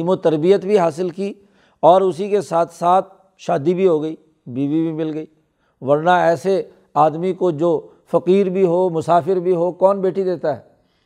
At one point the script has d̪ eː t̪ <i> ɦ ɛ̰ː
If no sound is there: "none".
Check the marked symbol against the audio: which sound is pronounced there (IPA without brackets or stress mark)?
a